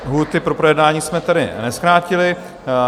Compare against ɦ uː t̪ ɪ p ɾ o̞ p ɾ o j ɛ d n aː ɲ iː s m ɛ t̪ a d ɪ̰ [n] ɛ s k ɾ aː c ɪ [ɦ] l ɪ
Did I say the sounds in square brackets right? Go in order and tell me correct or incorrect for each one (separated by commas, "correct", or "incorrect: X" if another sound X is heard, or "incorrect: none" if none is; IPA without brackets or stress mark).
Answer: correct, incorrect: none